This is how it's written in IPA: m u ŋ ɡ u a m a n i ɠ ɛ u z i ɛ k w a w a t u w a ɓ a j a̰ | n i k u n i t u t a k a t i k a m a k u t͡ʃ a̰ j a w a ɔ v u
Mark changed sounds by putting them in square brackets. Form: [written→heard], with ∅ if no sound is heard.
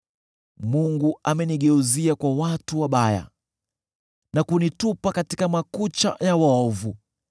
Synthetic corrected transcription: m u ŋ ɡ u a m [a→ɛ] n i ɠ ɛ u z i [ɛ→a] k w a w a t u w a ɓ a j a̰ | n [i→a] k u n i t u [t→p] a k a t i k a m a k u t͡ʃ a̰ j a w a ɔ v u

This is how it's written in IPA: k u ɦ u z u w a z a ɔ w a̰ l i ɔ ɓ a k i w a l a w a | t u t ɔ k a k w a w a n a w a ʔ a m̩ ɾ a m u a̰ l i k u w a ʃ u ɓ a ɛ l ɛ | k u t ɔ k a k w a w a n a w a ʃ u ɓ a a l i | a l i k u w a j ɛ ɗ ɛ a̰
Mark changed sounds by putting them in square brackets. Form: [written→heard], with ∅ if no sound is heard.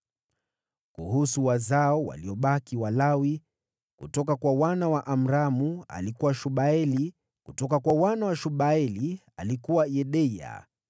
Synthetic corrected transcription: k u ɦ u [z→s] u w a z a ɔ w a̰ l i ɔ ɓ a k i w a l a w [a→i] | [t→k] u t ɔ k a k w a w a n a w a ʔ a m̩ ɾ a m u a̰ l i k u w a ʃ u ɓ a ɛ l [ɛ→i] | k u t ɔ k a k w a w a n a w a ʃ u ɓ a [a→ɛ] l i | a l i k u w a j ɛ ɗ ɛ a̰

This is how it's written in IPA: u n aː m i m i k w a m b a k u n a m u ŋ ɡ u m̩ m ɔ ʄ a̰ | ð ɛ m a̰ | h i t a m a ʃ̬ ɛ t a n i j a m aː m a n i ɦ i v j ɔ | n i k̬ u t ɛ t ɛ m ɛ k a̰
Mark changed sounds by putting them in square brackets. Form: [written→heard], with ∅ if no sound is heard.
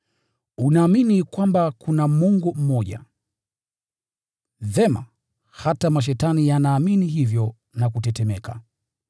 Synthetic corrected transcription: u n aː m i [m→n] i k w a m b a k u n a m u ŋ ɡ u m̩ m ɔ ʄ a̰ | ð ɛ m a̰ | h [i→a] t a m a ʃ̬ ɛ t a n i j a [m→n] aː m [a→i] n i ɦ i v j ɔ | n [i→a] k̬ u t ɛ t ɛ m ɛ k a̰

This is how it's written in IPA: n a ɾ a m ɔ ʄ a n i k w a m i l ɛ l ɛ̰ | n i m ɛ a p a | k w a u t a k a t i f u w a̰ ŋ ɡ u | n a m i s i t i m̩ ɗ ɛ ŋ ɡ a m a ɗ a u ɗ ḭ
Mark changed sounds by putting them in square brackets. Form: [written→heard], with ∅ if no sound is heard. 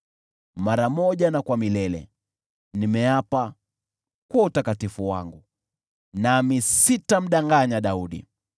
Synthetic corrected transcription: [n→m] a ɾ a m ɔ ʄ a n [i→a] k w a m i l ɛ l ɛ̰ | n i m ɛ a p a | k w a u t a k a t i f u w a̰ ŋ ɡ u | n a m i s i t [i→a] m̩ ɗ [ɛ→a] ŋ ɡ a [m→ɲ] a ɗ a u ɗ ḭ

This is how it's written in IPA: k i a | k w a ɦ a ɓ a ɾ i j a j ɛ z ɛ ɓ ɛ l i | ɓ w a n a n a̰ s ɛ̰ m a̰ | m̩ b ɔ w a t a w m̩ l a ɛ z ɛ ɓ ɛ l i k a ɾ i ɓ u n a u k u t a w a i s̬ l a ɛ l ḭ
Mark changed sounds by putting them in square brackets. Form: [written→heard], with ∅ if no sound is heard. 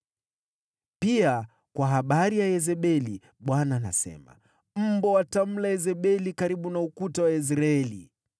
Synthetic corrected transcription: [k→p] i a | k w a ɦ a ɓ a ɾ i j a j ɛ z ɛ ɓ ɛ l i | ɓ w a n a n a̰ s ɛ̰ m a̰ | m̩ b ɔ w a t a [w→∅] m̩ l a ɛ z ɛ ɓ ɛ l i k a ɾ i ɓ u n a u k u t a w a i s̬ [l→ɾ] a ɛ l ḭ

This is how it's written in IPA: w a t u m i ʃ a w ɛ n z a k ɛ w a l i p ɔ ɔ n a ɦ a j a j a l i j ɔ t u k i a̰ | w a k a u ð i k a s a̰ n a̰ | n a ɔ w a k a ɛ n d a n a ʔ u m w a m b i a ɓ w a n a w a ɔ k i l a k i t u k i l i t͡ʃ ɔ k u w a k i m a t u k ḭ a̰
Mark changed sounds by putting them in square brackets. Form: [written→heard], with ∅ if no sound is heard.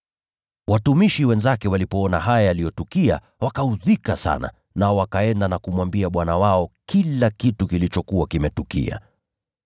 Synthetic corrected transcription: w a t u m i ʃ [a→i] w ɛ n z a k ɛ w a l i p ɔ ɔ n a ɦ a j a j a l i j ɔ t u k i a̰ | w a k a u ð i k a s a̰ n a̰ | n a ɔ w a k a ɛ n d a n a [ʔ→k] u m w a m b i a ɓ w a n a w a ɔ k i l a k i t u k i l i t͡ʃ ɔ k u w a k i m [a→ɛ] t u k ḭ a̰

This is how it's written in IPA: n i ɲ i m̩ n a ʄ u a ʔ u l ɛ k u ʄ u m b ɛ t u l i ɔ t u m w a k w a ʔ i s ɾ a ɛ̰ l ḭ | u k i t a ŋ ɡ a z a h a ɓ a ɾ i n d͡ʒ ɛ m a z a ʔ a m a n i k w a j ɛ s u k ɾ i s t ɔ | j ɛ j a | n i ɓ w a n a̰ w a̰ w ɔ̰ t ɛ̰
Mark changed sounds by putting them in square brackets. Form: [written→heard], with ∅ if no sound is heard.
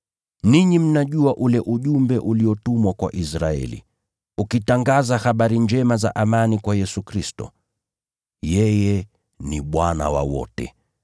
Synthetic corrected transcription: n i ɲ i m̩ n a ʄ u a ʔ u l ɛ [k→ʔ] u ʄ u m b ɛ [t→ʔ] u l i ɔ t u m w a k w a ʔ i s ɾ a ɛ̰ l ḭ | u k i t a ŋ ɡ a z a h a ɓ a ɾ i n d͡ʒ ɛ m a z a ʔ a m a n i k w a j ɛ s u k ɾ i s t ɔ | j ɛ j [a→ɛ] | n i ɓ w a n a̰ w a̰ w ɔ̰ t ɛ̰

